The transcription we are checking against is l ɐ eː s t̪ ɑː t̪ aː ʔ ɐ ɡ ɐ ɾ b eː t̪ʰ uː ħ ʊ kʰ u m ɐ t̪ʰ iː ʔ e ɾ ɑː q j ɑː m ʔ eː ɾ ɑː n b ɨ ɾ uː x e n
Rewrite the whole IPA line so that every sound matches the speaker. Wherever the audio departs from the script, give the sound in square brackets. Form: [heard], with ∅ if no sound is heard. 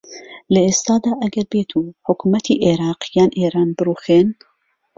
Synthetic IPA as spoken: l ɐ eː s t̪ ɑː [d̪] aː ʔ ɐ ɡ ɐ ɾ b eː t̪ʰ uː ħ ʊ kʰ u m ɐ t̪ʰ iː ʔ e ɾ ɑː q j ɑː [n] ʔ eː ɾ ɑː n b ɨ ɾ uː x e n